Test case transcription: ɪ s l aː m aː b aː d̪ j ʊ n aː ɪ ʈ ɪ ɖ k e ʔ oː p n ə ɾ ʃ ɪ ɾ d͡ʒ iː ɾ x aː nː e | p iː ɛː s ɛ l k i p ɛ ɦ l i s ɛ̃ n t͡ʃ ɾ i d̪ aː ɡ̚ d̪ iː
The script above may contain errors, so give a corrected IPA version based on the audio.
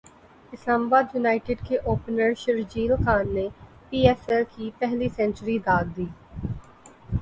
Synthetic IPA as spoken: ɪ s l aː m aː b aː d̪ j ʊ n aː ɪ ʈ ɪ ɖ k e ʔ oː p n ə ɾ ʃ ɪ ɾ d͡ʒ iː l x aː nː e | p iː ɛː s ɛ l k i p ɛ ɦ l i s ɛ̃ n t͡ʃ ɾ i d̪ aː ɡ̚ d̪ iː

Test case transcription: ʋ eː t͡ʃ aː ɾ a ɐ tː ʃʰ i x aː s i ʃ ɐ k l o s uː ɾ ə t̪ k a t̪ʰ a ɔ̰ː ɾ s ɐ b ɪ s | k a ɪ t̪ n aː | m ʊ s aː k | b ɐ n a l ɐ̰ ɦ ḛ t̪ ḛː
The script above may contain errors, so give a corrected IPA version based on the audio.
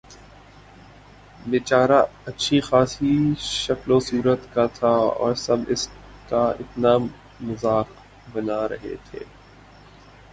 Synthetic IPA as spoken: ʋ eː t͡ʃ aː ɾ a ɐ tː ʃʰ i x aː s i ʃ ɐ k l o s uː ɾ ə t̪ k a t̪ʰ a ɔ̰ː ɾ s ɐ b ɪ s | k a ɪ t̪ n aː | m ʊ z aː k | b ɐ n a ɾ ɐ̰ ɦ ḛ t̪ʰ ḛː

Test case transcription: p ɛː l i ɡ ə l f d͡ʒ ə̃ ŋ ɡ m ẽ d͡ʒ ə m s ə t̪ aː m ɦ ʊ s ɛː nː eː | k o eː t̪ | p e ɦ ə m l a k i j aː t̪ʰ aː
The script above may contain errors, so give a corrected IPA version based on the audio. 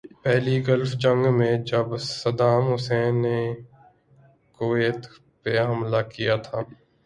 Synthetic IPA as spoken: p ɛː l i ɡ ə l f d͡ʒ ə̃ ŋ ɡ m ẽ d͡ʒ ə b s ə d̪ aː m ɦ ʊ s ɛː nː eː | k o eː t̪ | p e ɦ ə m l a k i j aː t̪ʰ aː

